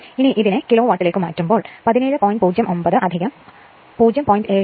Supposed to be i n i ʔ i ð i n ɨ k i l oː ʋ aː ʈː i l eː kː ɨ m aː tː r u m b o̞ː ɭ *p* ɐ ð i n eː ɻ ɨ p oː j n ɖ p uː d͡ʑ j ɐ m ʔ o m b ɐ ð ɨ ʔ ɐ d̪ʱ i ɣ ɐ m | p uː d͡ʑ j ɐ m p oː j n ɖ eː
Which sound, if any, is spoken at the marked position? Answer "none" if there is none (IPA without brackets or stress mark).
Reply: p